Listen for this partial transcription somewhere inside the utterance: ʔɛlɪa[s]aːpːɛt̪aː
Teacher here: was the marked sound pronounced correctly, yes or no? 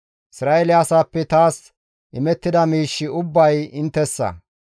yes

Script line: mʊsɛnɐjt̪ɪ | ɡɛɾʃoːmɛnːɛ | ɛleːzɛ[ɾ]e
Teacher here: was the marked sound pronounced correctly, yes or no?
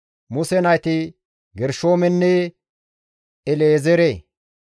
yes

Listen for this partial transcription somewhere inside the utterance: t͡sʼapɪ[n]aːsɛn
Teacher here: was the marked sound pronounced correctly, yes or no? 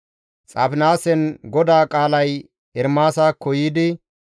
yes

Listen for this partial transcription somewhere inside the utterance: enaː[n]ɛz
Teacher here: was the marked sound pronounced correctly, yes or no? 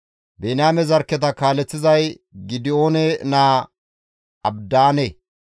no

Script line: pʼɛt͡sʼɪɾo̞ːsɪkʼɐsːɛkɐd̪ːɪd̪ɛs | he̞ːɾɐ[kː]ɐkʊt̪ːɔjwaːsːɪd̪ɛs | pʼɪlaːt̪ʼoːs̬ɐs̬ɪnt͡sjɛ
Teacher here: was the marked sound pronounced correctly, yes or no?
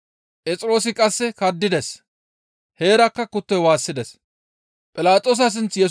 yes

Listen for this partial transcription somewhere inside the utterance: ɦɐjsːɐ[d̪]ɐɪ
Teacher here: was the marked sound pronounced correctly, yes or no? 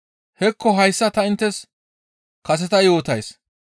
no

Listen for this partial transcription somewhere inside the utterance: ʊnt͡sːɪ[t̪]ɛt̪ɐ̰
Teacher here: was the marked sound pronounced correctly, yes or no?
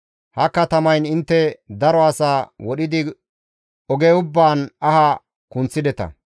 no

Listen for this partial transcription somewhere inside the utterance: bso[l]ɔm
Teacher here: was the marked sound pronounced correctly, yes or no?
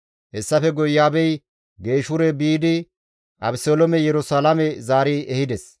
yes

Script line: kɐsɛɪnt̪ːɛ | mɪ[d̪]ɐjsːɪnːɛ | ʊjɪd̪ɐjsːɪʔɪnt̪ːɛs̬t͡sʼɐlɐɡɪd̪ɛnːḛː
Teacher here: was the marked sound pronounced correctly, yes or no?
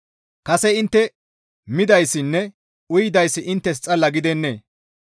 yes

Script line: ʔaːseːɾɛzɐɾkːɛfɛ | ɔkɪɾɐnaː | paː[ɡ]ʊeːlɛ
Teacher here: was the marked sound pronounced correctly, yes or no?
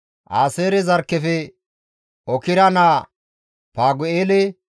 yes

